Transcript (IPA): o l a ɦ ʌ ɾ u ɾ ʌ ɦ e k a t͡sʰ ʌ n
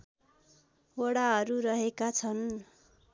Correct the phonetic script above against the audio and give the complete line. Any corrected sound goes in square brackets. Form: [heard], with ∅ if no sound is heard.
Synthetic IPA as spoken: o [ɽ] a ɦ ʌ ɾ u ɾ ʌ ɦ e k a t͡sʰ ʌ n

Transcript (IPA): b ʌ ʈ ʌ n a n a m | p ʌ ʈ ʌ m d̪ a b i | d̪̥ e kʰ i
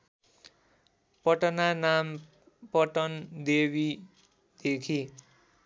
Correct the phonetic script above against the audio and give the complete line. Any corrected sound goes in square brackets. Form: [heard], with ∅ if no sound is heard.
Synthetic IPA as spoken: [p] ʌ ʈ ʌ n a n a m | p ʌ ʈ ʌ [n] d̪ [e] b i | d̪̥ e kʰ i

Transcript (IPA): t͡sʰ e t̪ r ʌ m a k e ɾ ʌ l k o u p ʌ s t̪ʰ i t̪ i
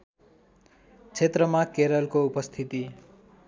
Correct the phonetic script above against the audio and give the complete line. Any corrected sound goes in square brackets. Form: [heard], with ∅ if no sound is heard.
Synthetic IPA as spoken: t͡sʰ e t̪ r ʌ m a k e ɾ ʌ l k o u p ʌ s t̪ʰ i t̪ i

